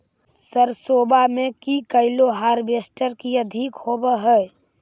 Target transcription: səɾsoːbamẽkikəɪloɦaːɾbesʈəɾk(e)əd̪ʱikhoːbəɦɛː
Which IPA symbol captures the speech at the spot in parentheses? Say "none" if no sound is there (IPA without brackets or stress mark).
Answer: i